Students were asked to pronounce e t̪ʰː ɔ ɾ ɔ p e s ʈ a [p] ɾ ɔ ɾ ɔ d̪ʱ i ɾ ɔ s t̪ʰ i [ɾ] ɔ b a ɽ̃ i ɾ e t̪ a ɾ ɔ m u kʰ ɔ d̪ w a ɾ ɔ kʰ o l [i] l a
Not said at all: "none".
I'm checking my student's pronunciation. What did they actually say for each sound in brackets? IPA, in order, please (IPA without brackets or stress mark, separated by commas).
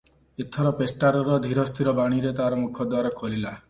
none, ɾ, i